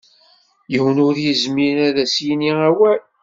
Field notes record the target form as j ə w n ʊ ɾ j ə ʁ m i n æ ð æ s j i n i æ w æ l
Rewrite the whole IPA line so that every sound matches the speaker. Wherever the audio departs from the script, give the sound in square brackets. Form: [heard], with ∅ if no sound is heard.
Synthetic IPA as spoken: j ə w n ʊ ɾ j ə [z] m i n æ ð æ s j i n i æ w æ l